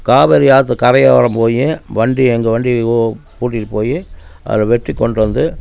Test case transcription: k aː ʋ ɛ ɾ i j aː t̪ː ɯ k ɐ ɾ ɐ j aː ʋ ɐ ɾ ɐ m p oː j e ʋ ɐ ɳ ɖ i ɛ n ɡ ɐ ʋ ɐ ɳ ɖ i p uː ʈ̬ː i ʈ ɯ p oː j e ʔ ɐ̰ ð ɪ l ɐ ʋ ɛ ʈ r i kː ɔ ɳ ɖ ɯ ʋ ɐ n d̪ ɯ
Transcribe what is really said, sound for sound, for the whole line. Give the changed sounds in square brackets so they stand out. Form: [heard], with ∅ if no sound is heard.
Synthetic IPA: k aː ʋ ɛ ɾ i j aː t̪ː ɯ k ɐ ɾ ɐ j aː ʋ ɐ ɾ ɐ m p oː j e ʋ ɐ ɳ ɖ i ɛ [ŋ] ɡ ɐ ʋ ɐ ɳ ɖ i p uː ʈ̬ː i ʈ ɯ p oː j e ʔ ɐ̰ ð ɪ l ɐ ʋ ɛ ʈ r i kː ɔ ɳ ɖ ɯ ʋ ɐ n d̪ ɯ